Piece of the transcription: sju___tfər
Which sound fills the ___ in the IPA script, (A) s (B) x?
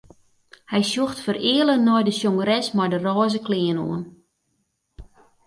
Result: B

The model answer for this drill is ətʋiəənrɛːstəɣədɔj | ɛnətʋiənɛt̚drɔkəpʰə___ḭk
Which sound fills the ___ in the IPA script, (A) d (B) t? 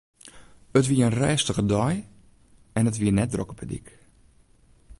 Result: A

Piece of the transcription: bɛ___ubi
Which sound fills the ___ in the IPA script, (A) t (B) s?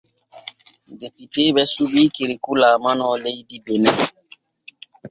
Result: B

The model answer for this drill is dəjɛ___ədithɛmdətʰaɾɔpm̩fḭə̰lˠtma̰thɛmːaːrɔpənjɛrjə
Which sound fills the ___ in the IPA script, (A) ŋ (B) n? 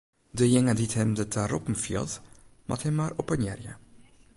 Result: A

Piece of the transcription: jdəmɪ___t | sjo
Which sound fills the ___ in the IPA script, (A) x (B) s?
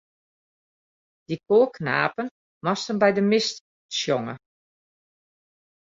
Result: B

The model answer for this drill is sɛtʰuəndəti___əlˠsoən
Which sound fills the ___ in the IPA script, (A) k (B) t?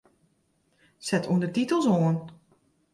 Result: B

